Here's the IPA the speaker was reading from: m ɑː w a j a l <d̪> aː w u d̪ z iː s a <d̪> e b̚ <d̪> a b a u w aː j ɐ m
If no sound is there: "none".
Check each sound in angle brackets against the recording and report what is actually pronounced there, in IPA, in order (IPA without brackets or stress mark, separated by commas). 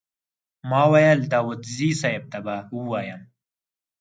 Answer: d̪, none, t̪